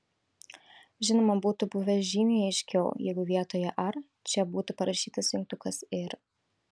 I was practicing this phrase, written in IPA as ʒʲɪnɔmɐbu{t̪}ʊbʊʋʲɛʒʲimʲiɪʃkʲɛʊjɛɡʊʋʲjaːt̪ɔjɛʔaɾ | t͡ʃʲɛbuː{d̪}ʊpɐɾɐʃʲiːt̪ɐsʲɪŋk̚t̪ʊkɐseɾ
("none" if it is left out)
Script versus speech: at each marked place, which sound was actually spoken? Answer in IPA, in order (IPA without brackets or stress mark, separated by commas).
t̪, t̪